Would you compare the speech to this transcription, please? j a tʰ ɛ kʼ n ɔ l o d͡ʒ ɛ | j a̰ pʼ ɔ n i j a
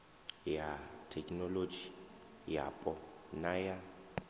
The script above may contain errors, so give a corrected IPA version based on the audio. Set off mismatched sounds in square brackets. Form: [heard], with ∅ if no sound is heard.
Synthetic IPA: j a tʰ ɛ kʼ n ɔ l o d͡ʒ [i] | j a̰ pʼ ɔ n [a] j a